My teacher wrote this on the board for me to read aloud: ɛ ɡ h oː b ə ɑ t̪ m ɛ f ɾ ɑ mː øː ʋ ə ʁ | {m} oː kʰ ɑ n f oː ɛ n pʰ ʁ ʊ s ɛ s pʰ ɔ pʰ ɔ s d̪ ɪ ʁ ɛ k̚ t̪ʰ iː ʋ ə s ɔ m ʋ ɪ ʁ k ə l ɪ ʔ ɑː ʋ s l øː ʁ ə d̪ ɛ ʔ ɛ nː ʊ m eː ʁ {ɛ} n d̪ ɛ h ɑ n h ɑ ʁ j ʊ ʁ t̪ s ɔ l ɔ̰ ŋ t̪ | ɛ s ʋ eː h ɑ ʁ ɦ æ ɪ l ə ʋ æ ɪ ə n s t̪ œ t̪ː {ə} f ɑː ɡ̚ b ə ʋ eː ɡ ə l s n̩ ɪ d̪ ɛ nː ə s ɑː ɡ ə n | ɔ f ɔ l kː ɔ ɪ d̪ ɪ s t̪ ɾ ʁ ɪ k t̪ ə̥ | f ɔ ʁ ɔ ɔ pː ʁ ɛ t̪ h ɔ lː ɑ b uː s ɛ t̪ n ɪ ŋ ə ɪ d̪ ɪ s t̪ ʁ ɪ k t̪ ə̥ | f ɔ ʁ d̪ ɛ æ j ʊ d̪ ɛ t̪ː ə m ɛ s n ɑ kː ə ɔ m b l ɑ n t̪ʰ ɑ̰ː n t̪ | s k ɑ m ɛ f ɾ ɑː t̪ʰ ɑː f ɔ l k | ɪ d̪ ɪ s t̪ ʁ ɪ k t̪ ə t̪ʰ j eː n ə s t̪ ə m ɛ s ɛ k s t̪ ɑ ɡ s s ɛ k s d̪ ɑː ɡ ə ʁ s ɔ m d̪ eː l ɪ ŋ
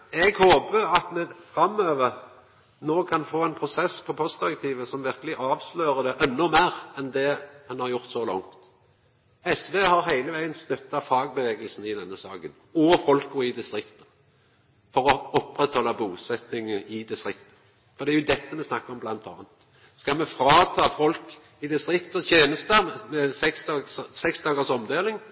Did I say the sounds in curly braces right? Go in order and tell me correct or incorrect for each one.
incorrect: n, correct, incorrect: ɑ

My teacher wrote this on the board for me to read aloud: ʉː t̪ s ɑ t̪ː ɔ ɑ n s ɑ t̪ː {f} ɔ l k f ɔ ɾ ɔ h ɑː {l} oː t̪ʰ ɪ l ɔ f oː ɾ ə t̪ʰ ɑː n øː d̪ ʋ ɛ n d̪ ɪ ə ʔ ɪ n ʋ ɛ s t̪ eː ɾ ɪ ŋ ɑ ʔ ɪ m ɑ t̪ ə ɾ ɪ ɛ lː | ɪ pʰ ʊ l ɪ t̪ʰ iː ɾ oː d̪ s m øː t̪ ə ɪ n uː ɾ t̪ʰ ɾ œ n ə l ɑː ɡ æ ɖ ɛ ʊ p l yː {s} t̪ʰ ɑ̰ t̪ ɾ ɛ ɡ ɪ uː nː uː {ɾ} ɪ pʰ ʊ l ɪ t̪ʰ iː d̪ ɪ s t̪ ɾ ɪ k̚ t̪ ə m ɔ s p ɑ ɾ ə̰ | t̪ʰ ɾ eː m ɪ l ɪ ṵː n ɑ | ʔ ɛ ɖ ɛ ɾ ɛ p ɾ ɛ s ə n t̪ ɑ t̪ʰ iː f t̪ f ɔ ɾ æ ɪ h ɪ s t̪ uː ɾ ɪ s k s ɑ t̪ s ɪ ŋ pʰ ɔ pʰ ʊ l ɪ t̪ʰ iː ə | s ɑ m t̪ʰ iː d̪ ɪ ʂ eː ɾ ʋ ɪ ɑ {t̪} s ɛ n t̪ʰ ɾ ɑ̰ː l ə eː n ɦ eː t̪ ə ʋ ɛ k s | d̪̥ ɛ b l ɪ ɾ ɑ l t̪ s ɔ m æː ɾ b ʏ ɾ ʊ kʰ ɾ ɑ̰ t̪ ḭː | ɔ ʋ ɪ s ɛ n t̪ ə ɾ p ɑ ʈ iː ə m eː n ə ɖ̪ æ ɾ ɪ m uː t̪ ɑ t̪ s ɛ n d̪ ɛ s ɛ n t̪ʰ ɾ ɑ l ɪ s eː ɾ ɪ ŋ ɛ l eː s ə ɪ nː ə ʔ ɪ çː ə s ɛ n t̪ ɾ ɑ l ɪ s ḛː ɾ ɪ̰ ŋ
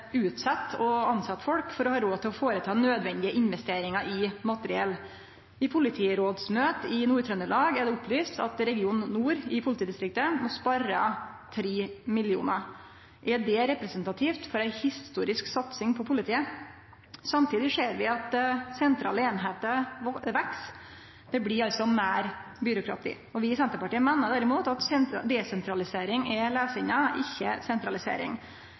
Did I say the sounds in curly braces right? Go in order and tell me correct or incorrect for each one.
correct, incorrect: ɾ, correct, correct, correct

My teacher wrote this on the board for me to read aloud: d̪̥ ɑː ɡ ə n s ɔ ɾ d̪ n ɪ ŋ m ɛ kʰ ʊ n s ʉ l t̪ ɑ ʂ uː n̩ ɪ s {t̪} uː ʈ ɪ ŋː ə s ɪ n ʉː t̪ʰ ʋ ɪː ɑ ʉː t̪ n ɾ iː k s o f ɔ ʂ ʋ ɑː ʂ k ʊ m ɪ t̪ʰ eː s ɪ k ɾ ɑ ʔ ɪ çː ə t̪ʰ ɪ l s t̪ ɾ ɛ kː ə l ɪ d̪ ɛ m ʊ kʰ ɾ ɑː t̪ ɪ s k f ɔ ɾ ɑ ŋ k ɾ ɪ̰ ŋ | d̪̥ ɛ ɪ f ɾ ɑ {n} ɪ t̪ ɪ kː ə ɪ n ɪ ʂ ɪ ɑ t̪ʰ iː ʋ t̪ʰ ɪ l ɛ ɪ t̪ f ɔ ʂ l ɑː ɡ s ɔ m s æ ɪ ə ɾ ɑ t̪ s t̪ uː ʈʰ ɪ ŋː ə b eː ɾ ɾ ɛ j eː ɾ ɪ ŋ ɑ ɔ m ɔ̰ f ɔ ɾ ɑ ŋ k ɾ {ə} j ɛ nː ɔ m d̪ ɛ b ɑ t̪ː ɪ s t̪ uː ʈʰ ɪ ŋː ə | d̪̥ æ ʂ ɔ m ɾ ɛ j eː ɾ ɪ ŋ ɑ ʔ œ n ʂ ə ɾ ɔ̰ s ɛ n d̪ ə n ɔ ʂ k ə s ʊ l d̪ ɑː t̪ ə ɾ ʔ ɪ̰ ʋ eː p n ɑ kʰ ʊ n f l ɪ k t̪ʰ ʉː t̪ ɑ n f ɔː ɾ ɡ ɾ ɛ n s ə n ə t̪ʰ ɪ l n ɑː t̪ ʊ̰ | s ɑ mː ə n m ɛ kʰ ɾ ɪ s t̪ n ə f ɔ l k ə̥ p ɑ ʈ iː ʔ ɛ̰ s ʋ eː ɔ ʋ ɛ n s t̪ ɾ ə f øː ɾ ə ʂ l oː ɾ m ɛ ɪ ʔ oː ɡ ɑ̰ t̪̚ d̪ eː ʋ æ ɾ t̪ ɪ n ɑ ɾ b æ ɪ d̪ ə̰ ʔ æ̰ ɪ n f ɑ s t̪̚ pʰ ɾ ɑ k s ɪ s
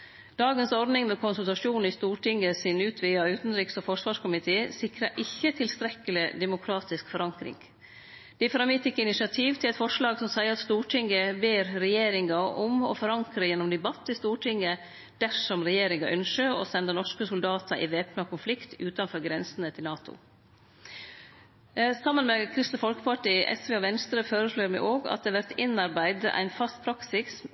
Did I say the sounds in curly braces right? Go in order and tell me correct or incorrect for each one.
correct, incorrect: m, correct

